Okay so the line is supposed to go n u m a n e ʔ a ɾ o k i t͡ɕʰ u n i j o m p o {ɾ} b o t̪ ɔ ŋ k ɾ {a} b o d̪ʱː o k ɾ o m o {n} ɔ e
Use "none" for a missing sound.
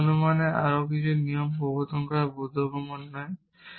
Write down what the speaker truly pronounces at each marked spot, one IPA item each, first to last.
none, a, nː

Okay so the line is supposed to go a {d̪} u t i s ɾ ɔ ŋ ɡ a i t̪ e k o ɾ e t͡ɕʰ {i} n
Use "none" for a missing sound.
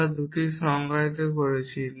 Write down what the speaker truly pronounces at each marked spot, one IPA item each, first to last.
d̪, i

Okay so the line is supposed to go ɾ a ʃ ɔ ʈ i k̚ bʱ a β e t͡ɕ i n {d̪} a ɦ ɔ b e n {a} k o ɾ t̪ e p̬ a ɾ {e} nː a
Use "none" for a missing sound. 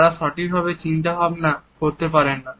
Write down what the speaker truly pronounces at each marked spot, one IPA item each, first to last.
t̪, a, e

